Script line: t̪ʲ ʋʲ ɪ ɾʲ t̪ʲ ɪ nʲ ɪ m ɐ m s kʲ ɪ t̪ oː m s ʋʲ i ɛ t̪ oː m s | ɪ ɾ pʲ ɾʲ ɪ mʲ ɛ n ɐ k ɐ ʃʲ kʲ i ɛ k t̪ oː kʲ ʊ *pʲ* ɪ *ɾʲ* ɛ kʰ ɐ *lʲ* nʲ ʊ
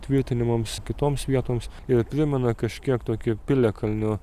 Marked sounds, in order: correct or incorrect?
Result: correct, incorrect, correct

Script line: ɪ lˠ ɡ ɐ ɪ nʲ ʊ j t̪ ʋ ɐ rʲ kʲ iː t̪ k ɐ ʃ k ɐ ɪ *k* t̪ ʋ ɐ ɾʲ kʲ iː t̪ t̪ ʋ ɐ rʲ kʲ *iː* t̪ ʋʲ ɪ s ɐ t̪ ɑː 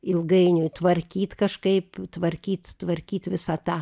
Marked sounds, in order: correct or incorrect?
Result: incorrect, correct

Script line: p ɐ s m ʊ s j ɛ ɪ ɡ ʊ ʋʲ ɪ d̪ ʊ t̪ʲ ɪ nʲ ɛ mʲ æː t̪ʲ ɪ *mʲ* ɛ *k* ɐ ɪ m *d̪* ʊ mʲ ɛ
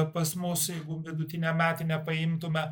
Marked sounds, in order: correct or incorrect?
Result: incorrect, incorrect, incorrect

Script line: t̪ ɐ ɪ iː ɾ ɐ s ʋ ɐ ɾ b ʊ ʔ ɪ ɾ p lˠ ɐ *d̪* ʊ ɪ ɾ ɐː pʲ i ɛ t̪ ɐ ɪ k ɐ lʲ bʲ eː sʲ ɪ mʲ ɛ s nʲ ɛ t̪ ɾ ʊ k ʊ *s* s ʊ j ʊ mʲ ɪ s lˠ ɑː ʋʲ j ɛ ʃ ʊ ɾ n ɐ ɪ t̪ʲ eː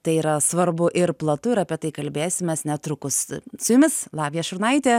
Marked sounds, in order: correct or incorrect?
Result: incorrect, correct

